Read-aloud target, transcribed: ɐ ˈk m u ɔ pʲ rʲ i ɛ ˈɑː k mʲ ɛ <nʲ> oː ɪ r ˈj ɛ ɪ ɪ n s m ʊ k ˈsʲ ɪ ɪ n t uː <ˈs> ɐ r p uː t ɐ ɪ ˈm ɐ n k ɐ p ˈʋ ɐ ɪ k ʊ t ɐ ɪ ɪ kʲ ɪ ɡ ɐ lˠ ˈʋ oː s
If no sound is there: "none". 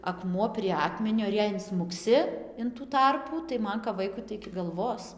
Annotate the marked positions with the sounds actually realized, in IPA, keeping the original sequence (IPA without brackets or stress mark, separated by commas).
nʲ, t